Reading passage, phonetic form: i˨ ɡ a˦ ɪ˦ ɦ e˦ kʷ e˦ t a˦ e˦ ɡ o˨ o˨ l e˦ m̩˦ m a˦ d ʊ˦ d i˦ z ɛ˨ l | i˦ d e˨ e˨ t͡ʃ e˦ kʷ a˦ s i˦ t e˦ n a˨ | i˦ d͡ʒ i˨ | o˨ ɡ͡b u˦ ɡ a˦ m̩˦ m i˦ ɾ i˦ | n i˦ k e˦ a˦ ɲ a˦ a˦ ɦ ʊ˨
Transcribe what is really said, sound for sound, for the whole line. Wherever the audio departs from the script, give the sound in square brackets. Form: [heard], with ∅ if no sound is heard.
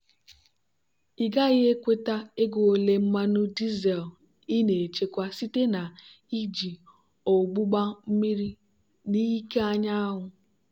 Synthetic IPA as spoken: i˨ ɡ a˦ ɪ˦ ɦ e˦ kʷ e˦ t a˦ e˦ ɡ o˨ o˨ l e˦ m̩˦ m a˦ [n] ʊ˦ d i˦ z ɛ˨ l | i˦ [n] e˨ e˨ t͡ʃ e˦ kʷ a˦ s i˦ t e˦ n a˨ | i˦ d͡ʒ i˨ | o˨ ɡ͡b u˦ [ɡ͡b] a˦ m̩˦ m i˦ ɾ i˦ | n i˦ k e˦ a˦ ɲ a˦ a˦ ɦ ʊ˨